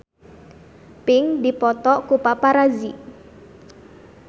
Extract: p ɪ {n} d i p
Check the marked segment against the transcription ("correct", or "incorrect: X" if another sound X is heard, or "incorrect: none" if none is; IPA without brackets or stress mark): incorrect: ŋ